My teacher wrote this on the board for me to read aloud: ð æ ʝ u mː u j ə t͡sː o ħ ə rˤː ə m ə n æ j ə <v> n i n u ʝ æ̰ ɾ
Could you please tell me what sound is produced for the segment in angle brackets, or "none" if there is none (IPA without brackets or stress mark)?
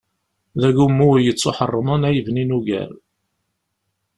v